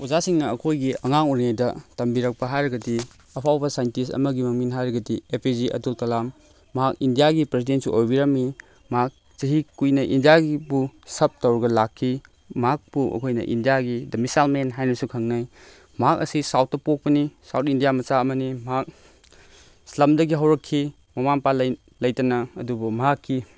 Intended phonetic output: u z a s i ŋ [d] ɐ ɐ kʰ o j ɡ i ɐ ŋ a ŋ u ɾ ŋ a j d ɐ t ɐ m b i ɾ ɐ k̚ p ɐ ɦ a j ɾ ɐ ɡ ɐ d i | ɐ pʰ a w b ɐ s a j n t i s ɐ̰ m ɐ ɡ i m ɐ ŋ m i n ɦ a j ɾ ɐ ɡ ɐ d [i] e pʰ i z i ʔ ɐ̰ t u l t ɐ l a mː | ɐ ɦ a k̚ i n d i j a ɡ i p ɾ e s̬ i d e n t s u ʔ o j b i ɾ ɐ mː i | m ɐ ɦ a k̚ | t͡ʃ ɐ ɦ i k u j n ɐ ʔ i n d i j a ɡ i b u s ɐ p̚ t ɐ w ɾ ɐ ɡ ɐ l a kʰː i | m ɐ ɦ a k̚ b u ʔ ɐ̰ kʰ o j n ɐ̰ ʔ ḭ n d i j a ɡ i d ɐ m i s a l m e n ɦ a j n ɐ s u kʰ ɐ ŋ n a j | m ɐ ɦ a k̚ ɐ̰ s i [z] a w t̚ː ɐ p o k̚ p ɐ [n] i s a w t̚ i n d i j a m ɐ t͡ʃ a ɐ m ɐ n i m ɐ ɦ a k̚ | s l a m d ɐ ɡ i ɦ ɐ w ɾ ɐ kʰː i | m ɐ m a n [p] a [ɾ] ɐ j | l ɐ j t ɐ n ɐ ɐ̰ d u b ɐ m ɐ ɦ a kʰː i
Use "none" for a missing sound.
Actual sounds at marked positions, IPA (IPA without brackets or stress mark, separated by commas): n, i, s, n, p, l